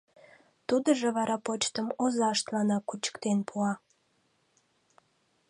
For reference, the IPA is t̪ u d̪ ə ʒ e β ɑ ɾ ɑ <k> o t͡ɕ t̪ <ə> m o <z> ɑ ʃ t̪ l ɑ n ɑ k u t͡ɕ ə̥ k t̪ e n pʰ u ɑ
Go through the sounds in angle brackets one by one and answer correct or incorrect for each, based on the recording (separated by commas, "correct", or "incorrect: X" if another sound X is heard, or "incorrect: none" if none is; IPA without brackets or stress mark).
incorrect: p, correct, correct